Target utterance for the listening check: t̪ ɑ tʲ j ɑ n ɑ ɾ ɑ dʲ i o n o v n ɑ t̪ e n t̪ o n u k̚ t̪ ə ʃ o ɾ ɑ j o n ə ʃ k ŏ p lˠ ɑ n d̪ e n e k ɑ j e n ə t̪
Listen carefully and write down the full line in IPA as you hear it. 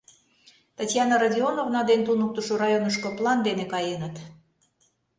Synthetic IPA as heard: t̪ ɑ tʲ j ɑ n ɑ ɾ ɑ dʲ i o n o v n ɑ d̪ e n t̪ u n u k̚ t̪ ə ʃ o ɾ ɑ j o n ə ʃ k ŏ p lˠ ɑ n d̪ e n e k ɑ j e n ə t̪